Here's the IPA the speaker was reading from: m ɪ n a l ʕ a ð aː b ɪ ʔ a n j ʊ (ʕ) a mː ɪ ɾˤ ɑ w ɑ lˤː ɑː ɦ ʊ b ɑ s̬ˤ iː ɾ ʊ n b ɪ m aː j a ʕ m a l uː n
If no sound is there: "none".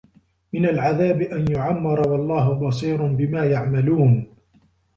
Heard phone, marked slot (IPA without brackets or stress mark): ʕ